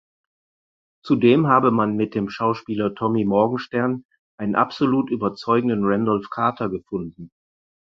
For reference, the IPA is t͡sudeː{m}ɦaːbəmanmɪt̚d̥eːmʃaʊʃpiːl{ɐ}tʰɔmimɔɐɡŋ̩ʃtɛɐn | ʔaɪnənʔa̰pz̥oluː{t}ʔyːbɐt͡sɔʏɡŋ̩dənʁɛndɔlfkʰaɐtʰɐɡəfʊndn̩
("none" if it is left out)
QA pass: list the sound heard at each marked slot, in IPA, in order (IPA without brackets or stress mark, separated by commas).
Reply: m, ɐ, t